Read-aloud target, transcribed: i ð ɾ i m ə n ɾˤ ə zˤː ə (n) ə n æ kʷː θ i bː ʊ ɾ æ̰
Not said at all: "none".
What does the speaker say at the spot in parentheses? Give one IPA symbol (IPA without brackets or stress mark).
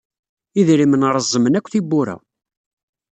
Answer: m